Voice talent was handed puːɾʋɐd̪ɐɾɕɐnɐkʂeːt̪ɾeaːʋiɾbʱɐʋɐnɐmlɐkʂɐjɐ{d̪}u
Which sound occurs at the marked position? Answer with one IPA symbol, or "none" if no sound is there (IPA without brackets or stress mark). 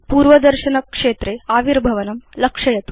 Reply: t̪